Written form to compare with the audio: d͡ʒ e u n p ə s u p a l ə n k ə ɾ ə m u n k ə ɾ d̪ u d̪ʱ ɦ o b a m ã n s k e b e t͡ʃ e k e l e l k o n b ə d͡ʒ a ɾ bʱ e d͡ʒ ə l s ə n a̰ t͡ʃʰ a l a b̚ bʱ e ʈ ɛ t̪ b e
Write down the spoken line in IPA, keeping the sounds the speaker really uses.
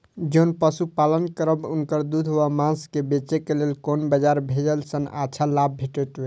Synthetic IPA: d͡ʒ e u n p ə s u p a l ə n k ə ɾ ə b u n k ə ɾ d̪ u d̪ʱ ɦ o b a m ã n s k e b e t͡ʃ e k e l e l k o n b ə d͡ʒ a ɾ bʱ e d͡ʒ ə l s ə n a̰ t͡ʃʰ a l a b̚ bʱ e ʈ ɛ t̪ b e